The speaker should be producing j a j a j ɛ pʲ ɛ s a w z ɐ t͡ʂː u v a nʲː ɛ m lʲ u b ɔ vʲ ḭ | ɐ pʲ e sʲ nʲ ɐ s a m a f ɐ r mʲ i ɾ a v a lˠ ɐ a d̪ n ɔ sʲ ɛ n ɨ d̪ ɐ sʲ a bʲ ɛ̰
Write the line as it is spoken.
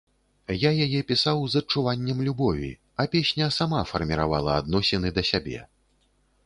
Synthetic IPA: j a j a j ɛ pʲ i s a w z ɐ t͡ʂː u v a nʲː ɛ m lʲ u b ɔ vʲ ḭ | ɐ pʲ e sʲ nʲ ɐ s a m a f ɐ r mʲ i ɾ a v a lˠ ɐ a d̪ n ɔ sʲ ɛ n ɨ d̪ ɐ sʲ a bʲ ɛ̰